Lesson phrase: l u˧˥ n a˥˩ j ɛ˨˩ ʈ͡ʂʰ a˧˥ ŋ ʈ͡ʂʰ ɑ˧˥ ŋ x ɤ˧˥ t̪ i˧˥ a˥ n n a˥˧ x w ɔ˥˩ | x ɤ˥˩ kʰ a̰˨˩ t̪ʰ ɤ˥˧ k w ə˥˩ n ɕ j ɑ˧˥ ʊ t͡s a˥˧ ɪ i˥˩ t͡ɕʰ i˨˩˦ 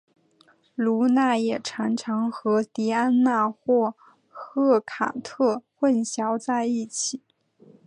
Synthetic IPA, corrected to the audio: l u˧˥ n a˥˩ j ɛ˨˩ ʈ͡ʂʰ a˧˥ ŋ ʈ͡ʂʰ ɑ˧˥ ŋ x ɤ˧˥ t̪ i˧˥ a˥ n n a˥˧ x w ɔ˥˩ | x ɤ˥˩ kʰ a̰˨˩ t̪ʰ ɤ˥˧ x w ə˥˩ n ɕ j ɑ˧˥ ʊ t͡s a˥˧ ɪ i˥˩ t͡ɕʰ i˨˩˦